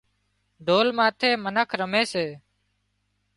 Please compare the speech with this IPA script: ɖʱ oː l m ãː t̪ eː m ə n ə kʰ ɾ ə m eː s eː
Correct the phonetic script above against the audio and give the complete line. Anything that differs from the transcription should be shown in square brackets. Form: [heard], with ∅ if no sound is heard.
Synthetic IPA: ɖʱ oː l m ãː [t̪ʰ] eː m ə n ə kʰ ɾ ə m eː s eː